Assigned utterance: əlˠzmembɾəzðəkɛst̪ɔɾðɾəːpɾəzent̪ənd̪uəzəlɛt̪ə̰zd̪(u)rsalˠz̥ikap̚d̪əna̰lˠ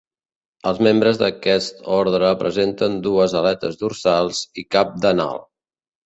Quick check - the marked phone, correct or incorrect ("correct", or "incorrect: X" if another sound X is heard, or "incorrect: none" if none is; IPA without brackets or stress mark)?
correct